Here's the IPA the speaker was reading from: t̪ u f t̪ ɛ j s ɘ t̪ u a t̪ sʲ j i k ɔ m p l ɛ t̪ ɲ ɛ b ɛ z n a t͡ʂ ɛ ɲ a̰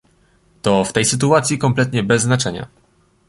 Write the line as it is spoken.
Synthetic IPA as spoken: t̪ ɔ f t̪ ɛ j s ɘ t̪ u a t̪ sʲ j i k ɔ m p l ɛ t̪ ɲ ɛ b ɛ zː n a t͡ʂ ɛ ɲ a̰